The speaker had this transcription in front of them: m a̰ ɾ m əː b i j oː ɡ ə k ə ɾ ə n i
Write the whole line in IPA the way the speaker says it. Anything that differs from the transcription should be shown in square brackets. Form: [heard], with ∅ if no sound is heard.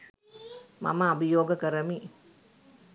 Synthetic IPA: m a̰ [∅] m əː b i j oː ɡ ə k ə ɾ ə [m] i